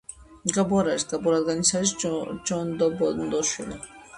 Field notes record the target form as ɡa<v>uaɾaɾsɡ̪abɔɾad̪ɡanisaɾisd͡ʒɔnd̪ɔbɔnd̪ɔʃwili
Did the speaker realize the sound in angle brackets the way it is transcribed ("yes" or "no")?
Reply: no